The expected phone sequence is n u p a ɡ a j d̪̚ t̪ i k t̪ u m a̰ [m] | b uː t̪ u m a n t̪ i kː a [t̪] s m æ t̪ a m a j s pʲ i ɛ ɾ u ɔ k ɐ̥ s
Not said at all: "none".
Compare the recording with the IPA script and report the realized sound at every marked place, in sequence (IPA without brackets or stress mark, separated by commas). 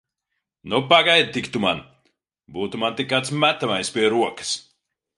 n, t̪